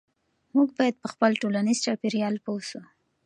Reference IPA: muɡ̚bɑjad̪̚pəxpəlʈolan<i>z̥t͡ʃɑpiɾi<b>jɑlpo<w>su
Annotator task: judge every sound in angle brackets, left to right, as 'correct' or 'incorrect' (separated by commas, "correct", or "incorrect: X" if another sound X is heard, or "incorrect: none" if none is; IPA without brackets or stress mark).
correct, incorrect: none, correct